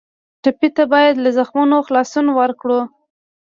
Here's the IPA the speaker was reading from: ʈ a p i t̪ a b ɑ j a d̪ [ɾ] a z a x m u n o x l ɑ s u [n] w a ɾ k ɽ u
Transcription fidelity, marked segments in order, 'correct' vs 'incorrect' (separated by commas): incorrect, correct